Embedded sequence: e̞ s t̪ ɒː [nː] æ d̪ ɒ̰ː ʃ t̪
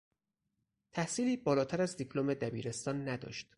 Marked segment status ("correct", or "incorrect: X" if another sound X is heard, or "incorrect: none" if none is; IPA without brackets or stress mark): correct